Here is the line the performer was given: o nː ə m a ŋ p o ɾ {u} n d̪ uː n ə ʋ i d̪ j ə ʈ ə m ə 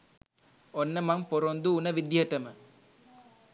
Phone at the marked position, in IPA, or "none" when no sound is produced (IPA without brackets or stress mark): o